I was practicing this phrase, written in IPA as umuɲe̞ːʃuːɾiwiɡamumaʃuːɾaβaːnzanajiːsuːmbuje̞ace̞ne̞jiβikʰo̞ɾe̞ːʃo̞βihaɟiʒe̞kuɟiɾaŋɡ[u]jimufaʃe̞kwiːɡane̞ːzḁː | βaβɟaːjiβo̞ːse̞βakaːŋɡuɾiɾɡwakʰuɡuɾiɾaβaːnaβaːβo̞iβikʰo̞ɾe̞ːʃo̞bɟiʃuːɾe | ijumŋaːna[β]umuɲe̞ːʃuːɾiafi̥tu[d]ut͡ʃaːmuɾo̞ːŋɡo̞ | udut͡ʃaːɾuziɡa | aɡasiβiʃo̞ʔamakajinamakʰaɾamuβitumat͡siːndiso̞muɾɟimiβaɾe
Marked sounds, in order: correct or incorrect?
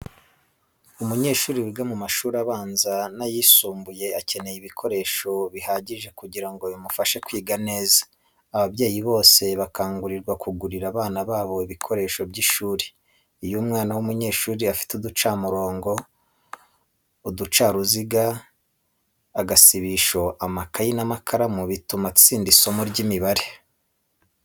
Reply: incorrect: o, incorrect: w, correct

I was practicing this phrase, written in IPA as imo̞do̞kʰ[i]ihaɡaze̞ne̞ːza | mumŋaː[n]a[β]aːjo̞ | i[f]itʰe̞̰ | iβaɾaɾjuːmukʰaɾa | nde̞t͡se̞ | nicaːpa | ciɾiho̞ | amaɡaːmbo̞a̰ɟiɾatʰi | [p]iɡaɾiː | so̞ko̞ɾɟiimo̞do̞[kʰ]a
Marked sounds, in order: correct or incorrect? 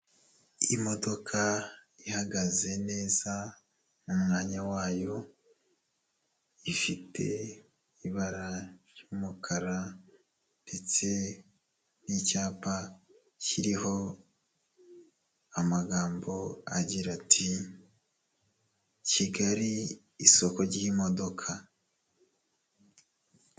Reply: incorrect: a, incorrect: ɲ, incorrect: w, correct, incorrect: c, correct

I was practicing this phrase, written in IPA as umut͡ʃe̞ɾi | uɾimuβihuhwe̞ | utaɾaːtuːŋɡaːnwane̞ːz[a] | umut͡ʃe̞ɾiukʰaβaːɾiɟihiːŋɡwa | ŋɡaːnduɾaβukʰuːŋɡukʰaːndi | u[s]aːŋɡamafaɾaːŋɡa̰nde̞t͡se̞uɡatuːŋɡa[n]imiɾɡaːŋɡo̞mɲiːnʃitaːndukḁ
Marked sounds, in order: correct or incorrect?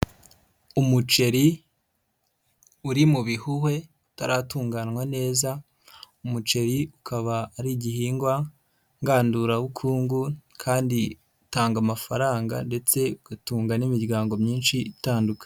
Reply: correct, incorrect: t, correct

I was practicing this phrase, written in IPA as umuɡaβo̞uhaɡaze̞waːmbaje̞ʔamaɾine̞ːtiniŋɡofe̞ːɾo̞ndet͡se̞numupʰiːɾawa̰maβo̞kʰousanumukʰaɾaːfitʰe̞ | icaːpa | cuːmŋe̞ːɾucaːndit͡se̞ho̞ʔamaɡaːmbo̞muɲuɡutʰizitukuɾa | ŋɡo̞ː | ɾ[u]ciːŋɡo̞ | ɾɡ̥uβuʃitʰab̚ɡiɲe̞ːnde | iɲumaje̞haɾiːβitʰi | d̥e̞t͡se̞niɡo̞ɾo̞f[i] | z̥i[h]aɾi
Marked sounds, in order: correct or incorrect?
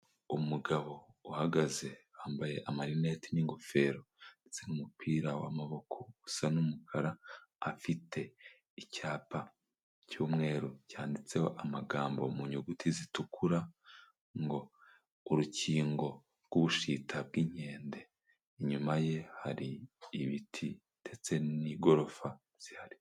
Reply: correct, incorrect: a, correct

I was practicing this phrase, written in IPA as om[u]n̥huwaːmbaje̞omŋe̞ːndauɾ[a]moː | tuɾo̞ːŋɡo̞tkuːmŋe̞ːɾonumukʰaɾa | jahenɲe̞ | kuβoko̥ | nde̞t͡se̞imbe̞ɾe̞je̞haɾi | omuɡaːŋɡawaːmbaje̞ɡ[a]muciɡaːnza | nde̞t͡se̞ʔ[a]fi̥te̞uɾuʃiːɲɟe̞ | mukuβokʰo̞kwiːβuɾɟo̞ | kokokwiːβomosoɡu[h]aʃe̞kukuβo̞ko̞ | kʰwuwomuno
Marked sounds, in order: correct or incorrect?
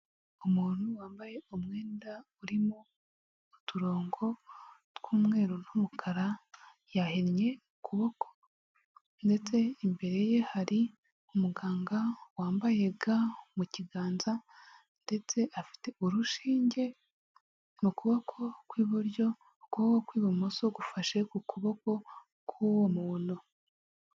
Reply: incorrect: uː, incorrect: i, correct, correct, incorrect: f

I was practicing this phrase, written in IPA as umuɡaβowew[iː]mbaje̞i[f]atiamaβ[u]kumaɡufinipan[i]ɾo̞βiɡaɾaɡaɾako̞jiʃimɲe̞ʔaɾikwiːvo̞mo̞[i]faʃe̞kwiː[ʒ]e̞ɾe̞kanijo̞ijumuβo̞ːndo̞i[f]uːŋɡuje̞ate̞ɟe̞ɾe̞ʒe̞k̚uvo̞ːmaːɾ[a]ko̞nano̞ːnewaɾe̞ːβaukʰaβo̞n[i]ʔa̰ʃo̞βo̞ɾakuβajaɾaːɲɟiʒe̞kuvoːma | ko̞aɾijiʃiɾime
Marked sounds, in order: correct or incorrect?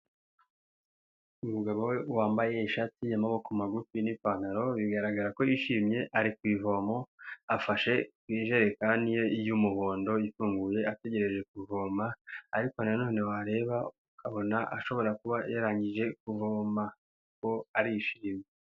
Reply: incorrect: aː, incorrect: ʃ, incorrect: o, incorrect: a, incorrect: a, correct, correct, incorrect: i, incorrect: a

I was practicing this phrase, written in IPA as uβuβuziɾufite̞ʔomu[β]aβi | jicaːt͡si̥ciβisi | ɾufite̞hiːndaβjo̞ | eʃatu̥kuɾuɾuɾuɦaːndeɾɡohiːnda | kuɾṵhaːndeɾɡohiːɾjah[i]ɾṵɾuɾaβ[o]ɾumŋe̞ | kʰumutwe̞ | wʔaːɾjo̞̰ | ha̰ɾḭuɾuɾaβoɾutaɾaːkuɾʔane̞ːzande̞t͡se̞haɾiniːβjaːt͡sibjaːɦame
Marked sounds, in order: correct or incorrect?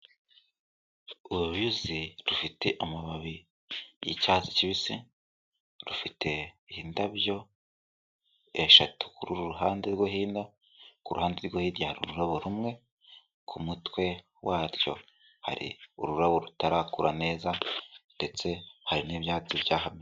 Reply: correct, incorrect: a, correct

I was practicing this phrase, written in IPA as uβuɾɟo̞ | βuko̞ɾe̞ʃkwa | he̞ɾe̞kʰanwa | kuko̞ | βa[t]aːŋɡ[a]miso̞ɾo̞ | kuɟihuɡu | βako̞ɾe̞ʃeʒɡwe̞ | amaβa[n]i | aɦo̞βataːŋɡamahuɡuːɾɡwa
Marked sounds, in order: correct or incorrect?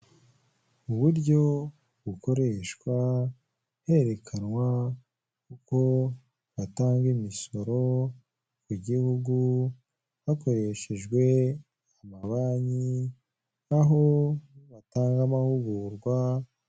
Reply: correct, incorrect: i, incorrect: ɲ

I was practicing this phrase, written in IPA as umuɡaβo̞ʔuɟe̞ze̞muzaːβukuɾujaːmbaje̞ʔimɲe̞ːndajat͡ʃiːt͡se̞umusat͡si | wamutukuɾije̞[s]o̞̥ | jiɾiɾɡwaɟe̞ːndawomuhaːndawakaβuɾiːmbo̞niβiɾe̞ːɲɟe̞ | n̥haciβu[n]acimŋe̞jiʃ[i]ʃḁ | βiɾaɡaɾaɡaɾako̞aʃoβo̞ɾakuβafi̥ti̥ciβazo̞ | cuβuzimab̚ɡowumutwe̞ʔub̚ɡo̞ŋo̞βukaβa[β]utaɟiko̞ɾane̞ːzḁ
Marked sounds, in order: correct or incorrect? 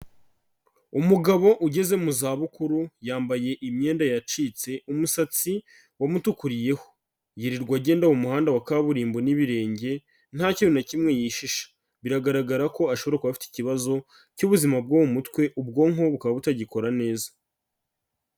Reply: incorrect: h, correct, correct, correct

